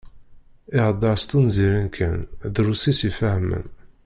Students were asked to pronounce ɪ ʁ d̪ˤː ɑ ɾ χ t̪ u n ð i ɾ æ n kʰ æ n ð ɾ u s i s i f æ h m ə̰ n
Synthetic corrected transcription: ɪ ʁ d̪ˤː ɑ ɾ s t̪ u n z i ɾ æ n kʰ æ n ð ɾ u s i s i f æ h m ə̰ n